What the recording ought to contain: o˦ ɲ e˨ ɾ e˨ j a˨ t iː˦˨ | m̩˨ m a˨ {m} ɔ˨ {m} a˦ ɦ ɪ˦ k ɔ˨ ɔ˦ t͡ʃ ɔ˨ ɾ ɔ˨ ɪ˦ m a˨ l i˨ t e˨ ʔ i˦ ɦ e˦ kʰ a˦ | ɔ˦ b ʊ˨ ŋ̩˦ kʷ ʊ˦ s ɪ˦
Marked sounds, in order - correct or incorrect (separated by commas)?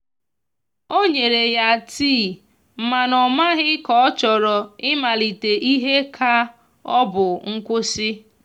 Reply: incorrect, correct